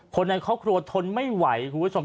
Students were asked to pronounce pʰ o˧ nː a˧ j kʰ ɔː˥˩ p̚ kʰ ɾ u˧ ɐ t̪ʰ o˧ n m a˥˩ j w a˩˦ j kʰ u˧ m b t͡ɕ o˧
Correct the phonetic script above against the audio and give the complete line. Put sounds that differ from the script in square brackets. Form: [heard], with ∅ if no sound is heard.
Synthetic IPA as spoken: [kʰ] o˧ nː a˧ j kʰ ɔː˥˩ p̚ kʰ ɾ u˧ ɐ t̪ʰ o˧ n m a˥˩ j w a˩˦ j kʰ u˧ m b [t͡ɕʰ] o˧